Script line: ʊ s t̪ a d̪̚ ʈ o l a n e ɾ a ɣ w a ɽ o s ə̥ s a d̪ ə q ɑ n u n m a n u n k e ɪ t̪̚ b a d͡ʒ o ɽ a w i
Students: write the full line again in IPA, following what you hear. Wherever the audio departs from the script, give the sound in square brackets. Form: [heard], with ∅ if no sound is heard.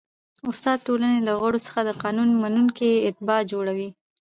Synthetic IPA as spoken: ʊ s t̪ [ɑ] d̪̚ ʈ o l a n e [l] a ɣ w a ɽ o s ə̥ [x] a d̪ ə q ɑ n u n m a n u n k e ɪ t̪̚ b [ɑ] d͡ʒ o ɽ a w i